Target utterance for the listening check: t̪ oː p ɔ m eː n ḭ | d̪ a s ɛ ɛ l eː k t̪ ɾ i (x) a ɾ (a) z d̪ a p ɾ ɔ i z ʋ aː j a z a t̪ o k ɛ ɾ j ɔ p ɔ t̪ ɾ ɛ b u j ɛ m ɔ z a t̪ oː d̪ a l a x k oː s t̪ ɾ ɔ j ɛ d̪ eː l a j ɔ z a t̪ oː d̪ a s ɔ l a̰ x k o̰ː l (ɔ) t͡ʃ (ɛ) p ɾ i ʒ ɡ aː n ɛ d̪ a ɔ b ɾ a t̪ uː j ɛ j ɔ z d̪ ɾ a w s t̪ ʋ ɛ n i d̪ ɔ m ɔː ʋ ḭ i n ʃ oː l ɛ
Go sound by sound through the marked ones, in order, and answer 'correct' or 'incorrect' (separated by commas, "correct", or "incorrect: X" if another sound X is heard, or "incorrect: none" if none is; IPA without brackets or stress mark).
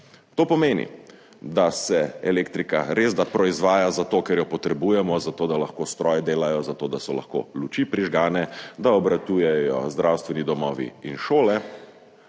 incorrect: k, incorrect: e, incorrect: u, incorrect: i